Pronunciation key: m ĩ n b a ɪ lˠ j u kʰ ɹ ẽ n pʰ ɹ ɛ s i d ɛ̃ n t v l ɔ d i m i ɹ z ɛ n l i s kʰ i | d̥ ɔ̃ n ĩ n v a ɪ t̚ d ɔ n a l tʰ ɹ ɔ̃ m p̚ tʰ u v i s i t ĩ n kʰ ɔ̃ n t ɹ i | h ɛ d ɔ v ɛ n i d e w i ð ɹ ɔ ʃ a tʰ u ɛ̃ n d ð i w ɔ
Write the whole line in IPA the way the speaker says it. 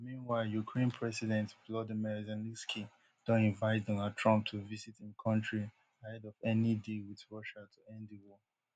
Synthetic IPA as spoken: m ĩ n w a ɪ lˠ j u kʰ ɹ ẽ n pʰ ɹ ɛ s i d ɛ̃ n t v l ɔ d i m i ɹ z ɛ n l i s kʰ i | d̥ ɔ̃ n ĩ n v a ɪ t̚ d ɔ n a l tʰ ɹ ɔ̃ m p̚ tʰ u v i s i t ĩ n kʰ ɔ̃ n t ɹ i | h ɛ d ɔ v ɛ n i d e w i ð ɹ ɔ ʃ a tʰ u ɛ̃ n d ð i w ɔ